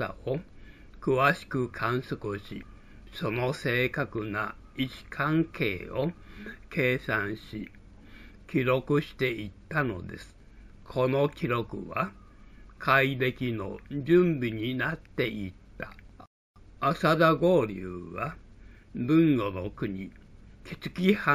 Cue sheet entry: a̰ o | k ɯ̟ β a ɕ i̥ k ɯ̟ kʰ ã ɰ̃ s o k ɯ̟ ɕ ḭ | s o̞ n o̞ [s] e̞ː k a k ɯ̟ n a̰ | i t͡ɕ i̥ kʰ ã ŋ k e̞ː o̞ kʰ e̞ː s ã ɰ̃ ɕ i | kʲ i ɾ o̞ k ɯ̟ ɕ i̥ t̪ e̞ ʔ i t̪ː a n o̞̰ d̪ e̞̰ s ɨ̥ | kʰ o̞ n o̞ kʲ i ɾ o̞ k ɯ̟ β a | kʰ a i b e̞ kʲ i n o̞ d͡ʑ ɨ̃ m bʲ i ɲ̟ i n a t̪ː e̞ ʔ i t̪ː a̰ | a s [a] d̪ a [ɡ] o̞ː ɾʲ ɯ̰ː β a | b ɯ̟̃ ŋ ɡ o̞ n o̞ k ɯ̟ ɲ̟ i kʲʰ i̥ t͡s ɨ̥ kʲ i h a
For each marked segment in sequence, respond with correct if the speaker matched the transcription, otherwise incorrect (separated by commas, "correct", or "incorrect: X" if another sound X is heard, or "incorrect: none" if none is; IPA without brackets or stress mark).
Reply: correct, correct, correct